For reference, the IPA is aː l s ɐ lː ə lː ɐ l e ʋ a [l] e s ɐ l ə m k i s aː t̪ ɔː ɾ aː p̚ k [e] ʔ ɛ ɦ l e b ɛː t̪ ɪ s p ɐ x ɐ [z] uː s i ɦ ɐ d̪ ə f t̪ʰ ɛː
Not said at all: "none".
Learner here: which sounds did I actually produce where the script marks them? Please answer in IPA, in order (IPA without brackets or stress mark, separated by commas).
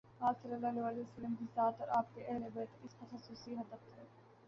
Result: l, e, s